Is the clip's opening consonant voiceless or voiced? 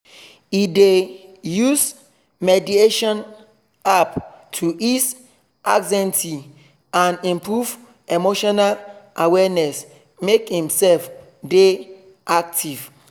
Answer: voiced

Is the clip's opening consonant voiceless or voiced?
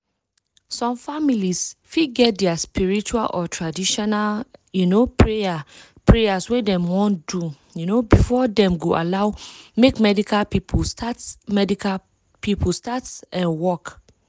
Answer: voiceless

